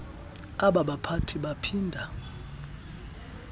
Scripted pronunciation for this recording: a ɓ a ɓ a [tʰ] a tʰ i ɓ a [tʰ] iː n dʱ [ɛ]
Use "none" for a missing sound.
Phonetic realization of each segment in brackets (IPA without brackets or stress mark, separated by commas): pʰ, pʰ, a